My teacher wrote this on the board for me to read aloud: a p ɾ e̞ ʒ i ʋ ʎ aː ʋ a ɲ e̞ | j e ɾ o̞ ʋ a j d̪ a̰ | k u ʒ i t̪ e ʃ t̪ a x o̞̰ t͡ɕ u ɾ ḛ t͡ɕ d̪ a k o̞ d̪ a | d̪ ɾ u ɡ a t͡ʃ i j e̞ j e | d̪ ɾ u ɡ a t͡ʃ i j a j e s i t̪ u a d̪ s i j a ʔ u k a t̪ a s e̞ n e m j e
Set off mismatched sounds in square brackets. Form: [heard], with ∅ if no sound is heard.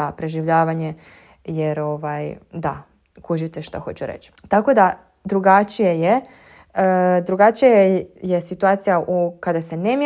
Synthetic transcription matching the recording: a p ɾ e̞ ʒ i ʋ ʎ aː ʋ a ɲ e̞ | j e ɾ o̞ ʋ a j d̪ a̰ | k u ʒ i t̪ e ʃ t̪ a x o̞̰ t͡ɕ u ɾ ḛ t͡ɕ [t̪] a k o̞ d̪ a | d̪ ɾ u ɡ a t͡ʃ i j e̞ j e | d̪ ɾ u ɡ a t͡ʃ i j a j e s i t̪ u a [t̪] s i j a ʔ u k a [d̪] a s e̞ n e m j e